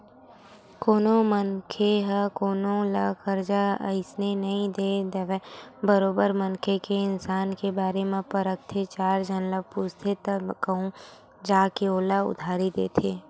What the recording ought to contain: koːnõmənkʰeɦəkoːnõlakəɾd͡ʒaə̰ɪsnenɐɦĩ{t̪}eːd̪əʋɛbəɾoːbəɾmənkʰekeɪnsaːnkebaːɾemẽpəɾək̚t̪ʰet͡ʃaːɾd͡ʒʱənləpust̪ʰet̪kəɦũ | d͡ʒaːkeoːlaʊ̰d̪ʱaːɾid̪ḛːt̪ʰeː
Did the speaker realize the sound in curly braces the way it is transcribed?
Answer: no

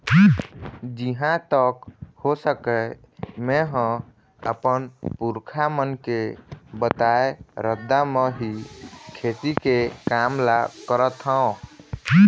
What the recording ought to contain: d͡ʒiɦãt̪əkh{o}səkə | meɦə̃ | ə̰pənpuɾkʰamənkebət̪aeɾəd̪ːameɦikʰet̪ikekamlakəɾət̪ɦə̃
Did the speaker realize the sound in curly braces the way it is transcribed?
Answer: yes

